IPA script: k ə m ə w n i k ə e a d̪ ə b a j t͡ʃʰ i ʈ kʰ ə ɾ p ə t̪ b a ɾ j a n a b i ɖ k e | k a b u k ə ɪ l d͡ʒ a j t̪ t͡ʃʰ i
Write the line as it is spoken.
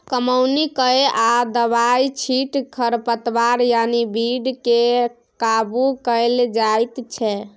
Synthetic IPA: k ə m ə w n i k ə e a d̪ ə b a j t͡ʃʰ i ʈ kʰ ə ɾ p ə t̪ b a ɾ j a n i b i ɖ k e | k a b u k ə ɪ l d͡ʒ a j t̪ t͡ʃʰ ɛ

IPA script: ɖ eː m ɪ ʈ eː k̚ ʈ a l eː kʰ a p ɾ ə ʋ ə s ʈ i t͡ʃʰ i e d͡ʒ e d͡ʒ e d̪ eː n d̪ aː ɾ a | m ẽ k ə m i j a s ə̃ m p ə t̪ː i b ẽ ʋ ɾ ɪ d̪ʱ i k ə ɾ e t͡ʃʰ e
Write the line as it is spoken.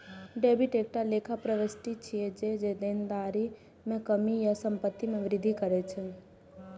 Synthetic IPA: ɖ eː b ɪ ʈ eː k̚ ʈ a l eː kʰ a p ɾ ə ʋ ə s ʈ i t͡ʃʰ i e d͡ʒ e d͡ʒ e d̪ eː n d̪ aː ɾ i | m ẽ k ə m i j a s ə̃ m p ə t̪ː i m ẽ ʋ ɾ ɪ d̪ʱ i k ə ɾ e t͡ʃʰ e

